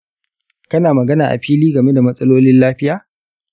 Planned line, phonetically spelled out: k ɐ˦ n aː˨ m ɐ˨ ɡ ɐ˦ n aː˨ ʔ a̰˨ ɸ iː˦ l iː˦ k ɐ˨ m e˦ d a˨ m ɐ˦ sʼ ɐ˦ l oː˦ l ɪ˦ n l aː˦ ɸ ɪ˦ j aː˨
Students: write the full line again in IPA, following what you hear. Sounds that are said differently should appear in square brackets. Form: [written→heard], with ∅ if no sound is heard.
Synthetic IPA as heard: k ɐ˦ n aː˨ m ɐ˨ ɡ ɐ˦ n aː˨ ʔ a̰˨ ɸ iː˦ l iː˦ [k→ɡ] ɐ˨ m e˦ d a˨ m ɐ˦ sʼ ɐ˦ l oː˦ l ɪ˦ n l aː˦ ɸ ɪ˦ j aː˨